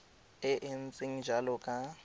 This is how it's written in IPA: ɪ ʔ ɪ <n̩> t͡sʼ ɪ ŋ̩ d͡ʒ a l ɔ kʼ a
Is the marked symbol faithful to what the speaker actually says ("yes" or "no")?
yes